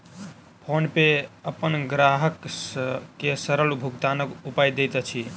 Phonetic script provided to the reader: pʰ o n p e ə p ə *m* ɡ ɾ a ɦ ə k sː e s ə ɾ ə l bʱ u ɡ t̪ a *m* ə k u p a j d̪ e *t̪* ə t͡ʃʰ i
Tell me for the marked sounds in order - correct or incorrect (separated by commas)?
incorrect, incorrect, correct